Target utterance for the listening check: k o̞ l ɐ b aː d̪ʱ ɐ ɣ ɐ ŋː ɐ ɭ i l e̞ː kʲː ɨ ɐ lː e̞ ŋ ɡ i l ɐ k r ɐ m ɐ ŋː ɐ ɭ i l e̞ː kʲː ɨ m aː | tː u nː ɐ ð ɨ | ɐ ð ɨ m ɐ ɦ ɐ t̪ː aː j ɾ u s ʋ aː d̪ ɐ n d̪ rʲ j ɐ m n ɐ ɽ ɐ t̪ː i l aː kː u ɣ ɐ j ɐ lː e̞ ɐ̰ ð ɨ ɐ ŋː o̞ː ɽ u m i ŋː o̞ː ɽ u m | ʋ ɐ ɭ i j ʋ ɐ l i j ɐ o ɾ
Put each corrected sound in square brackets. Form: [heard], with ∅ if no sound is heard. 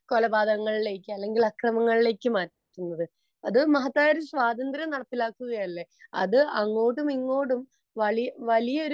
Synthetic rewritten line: k o̞ l ɐ b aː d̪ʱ ɐ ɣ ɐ ŋː ɐ ɭ i l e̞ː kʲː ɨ ɐ lː e̞ ŋ ɡ i l ɐ k r ɐ m ɐ ŋː ɐ ɭ i l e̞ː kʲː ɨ m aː | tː u nː ɐ ð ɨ | ɐ ð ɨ m ɐ ɦ ɐ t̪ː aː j ɾ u s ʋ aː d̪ ɐ n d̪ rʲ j ɐ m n ɐ ɽ ɐ t̪ː i l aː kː u ɣ ɐ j ɐ lː e̞ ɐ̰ ð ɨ ɐ ŋː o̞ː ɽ u m i ŋː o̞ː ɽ u m | ʋ ɐ ɭ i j ʋ ɐ l i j ɐ o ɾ